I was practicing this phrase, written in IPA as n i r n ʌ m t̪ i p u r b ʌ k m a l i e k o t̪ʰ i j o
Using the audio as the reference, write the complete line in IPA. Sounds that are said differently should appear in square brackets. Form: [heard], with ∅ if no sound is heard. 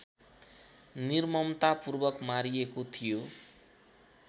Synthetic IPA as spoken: n i r [m] ʌ m t̪ [a] p u r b ʌ k m a [ɾ] i e k o t̪ʰ i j o

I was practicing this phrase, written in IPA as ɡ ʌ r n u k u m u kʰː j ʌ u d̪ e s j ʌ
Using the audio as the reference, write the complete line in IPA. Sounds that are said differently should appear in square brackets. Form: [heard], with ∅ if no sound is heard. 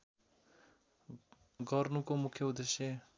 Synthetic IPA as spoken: ɡ ʌ r n u k [o] m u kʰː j ʌ u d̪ e s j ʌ

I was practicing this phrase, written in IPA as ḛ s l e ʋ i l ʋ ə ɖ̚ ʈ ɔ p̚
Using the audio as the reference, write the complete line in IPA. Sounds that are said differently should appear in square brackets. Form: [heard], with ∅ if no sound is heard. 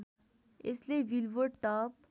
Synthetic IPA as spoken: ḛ s l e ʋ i l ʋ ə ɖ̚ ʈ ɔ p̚

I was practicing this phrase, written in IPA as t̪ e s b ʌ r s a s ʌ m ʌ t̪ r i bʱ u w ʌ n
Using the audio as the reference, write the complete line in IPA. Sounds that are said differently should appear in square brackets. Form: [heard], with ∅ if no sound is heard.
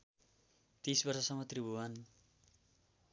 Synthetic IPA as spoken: t̪ [i] s b ʌ r s [ʌ] s ʌ m ʌ t̪ r i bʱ u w [a] n

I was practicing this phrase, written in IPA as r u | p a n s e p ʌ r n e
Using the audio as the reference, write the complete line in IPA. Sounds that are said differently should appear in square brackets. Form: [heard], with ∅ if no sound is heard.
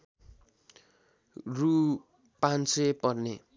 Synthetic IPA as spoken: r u | p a n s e p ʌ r n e

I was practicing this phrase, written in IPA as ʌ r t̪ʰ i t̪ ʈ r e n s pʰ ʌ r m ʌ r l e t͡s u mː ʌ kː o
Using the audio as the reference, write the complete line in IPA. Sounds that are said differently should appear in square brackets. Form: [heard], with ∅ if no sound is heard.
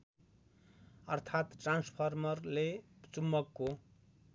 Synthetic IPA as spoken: ʌ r t̪ʰ [a] t̪ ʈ r [a] n s pʰ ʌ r m ʌ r l e t͡s u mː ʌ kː o

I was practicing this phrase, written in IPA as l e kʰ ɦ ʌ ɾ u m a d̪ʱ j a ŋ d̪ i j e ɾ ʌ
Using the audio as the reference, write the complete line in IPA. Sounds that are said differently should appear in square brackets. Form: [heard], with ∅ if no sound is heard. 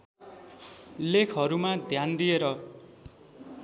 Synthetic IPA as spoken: l e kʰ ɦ ʌ ɾ u m a d̪ʱ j a [n] d̪ i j e ɾ ʌ

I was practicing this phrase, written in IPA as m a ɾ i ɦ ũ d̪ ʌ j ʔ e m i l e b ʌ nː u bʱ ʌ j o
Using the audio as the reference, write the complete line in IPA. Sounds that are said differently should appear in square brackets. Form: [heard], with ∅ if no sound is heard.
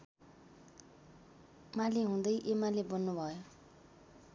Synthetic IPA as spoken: m a [l] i ɦ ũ d̪ ʌ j ʔ e m [a] l e b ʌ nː u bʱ ʌ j o

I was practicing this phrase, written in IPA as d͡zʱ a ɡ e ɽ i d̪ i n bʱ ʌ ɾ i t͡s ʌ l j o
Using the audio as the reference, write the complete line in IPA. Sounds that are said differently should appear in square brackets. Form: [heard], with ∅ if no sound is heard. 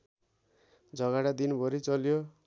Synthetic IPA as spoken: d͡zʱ [ʌ] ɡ [a] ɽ [a] d̪ i n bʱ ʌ ɾ i t͡s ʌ l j o

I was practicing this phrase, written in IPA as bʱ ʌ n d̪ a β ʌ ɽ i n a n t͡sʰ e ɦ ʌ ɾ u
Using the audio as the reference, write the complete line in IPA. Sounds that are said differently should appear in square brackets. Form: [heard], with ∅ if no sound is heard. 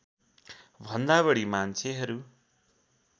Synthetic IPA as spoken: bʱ ʌ n d̪ a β ʌ ɽ i [m] a n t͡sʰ e ɦ ʌ ɾ u

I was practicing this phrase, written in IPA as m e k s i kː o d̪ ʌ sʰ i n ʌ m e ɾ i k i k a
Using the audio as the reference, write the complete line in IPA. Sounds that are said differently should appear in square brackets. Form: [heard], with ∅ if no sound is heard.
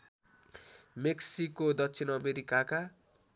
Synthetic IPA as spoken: m e k s i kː o d̪ ʌ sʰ i n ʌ m e ɾ i k [a] k a

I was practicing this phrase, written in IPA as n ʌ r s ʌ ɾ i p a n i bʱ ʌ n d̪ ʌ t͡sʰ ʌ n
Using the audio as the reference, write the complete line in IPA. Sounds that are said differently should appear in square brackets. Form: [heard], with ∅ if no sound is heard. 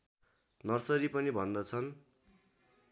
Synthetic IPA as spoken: n ʌ r s ʌ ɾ i p [ʌ] n i bʱ ʌ n d̪ ʌ t͡sʰ ʌ n

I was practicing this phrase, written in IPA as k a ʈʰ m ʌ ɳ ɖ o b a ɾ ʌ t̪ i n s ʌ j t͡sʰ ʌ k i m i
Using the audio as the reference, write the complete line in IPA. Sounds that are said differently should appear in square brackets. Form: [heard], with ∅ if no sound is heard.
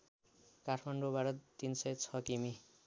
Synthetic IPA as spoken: k a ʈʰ m [a] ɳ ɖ o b a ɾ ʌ t̪ i n s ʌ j t͡sʰ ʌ k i m i

